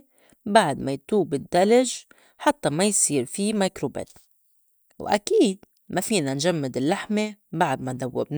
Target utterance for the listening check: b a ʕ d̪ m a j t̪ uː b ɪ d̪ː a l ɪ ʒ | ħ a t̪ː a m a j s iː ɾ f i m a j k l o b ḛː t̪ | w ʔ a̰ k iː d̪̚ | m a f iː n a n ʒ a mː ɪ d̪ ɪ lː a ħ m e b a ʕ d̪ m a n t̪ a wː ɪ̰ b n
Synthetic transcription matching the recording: b a ʕ d̪ m a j t̪ uː b ɪ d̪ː a l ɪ ʒ | ħ a t̪ː a m a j s iː ɾ f i m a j k ɾ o b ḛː t̪ | w ʔ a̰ k iː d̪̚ | m a f iː n a n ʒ a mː ɪ d̪ ɪ lː a ħ m e b a ʕ d̪ m a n d̪ a wː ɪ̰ b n